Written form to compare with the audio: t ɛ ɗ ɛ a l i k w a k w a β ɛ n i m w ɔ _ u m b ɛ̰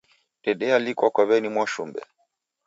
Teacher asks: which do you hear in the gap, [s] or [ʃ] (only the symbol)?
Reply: ʃ